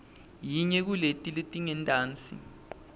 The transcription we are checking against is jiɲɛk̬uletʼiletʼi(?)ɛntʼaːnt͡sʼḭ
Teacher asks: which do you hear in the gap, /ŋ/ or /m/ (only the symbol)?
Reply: ŋ